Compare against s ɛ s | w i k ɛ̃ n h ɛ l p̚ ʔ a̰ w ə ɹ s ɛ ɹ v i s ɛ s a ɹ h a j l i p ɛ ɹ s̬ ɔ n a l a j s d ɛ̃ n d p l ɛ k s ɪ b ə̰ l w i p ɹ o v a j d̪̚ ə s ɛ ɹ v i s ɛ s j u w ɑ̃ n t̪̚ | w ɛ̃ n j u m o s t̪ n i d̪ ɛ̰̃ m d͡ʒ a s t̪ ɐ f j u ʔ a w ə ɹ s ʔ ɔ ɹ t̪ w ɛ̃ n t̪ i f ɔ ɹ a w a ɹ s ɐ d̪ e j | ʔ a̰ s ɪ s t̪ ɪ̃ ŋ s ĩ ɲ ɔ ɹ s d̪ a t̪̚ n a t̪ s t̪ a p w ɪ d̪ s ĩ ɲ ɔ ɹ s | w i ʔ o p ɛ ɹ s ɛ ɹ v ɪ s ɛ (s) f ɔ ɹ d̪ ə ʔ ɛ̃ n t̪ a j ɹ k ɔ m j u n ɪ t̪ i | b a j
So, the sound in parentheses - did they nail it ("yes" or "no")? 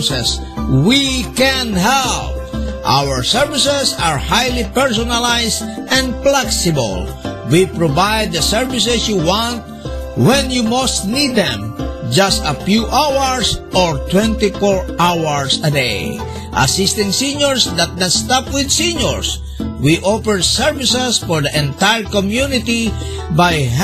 yes